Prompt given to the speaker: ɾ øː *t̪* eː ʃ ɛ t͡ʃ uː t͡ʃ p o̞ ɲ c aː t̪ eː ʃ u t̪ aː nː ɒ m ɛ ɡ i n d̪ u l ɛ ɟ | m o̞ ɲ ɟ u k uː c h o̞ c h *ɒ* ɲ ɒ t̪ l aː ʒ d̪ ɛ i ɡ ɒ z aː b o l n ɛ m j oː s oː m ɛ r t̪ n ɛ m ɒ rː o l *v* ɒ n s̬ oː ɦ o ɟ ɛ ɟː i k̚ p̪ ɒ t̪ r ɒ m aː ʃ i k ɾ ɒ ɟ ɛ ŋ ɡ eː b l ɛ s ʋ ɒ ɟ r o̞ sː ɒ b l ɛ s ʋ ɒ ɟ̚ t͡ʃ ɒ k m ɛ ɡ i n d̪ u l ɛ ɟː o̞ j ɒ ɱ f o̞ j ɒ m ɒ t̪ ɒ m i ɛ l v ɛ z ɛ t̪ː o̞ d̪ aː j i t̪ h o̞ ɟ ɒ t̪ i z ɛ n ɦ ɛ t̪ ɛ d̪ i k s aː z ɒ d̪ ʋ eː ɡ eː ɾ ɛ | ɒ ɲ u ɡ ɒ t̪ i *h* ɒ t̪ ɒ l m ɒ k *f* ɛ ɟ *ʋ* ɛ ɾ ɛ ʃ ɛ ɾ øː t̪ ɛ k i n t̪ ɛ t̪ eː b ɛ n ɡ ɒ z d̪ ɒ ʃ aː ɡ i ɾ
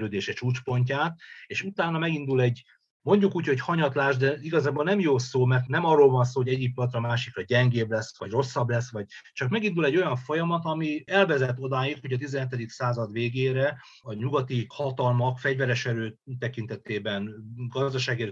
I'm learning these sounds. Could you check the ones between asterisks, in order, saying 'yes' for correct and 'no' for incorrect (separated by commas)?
no, yes, yes, yes, yes, no